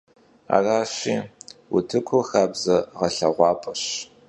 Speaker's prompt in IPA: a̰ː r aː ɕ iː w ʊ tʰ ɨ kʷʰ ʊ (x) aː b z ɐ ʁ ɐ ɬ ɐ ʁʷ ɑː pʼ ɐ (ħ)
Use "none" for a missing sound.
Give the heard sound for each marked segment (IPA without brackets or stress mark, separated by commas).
x, ɕ